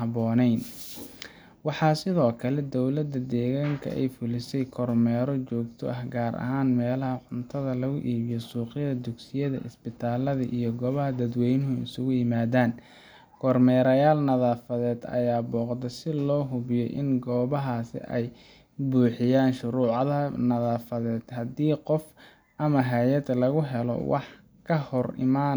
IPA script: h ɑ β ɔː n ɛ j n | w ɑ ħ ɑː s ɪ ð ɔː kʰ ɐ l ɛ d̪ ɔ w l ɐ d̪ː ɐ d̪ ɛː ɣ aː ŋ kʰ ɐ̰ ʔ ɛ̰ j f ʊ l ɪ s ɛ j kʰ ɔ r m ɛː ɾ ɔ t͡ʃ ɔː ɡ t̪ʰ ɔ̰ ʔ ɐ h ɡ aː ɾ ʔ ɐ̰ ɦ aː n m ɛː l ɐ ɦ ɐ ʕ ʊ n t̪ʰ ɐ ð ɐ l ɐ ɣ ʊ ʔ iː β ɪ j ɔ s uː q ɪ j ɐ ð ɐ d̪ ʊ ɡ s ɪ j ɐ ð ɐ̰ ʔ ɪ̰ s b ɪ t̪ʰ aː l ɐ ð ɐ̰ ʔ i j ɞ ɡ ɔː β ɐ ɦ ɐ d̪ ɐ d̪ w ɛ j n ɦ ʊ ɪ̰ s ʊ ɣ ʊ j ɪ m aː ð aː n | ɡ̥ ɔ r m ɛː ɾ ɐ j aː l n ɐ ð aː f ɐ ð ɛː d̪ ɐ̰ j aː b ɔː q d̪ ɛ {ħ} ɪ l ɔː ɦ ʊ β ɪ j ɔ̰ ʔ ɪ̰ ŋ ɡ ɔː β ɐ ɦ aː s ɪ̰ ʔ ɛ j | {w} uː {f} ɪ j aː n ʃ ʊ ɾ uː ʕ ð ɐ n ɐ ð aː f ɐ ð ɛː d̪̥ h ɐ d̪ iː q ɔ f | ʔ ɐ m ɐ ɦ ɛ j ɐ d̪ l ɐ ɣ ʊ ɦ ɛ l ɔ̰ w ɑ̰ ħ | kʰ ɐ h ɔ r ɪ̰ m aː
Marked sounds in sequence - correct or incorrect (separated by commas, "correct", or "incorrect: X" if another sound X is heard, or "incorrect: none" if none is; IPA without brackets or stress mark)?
incorrect: s, incorrect: b, incorrect: ħ